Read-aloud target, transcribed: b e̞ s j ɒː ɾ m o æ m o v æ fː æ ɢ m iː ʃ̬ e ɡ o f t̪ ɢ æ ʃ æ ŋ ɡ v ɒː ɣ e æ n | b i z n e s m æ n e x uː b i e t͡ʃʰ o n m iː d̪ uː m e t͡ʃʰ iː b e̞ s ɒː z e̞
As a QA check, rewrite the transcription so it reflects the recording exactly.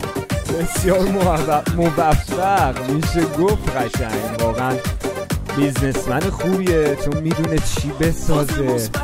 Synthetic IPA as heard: b e̞ s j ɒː ɾ m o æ m o v æ fː æ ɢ m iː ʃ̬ e ɡ o f t̪ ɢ æ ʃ æ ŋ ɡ v ɒː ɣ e æ n | b i z n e s m æ n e x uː b i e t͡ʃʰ o n m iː d̪ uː n e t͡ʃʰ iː b e̞ s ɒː z e̞